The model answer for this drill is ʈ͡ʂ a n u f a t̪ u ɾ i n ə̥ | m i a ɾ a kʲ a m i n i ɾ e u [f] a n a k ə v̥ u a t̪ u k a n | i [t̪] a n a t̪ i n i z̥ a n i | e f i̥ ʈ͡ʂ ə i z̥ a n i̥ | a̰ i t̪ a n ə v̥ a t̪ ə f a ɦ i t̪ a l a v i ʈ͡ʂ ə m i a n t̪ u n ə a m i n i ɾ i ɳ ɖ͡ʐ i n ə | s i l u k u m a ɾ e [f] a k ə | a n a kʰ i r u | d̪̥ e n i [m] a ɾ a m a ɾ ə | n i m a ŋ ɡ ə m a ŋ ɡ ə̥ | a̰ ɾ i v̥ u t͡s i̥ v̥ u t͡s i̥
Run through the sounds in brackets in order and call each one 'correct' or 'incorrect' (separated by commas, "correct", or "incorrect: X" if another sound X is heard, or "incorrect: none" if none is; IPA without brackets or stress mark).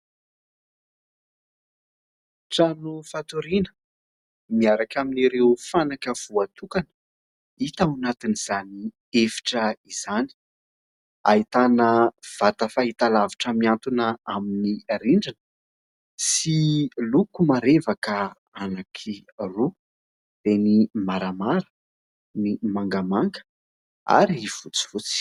correct, correct, incorrect: v, correct